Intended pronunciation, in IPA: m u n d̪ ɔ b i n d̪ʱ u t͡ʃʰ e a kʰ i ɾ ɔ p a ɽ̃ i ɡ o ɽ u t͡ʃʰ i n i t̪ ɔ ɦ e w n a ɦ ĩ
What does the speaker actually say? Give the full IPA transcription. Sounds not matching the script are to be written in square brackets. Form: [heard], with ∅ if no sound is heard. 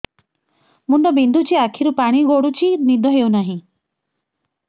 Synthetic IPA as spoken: m u n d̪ ɔ b i n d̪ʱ u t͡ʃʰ [i] a kʰ i ɾ [u] p a ɽ̃ i ɡ o ɽ u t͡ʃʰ i n i [d̪] ɔ ɦ e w n a ɦ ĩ